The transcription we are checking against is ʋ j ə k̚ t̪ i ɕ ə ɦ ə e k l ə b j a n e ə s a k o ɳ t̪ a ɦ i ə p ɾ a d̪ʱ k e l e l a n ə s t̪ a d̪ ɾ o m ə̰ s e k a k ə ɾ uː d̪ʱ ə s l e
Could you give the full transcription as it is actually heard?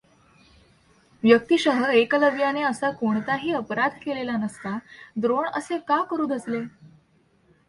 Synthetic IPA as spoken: ʋ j ə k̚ t̪ i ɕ ə ɦ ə e k l ə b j a n e ə s a k o ɳ t̪ a ɦ iː ə p ɾ a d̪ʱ k e l e l a n ə s t̪ a d̪ ɾ o ɳ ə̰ s e k a k ə ɾ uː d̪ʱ ə s l e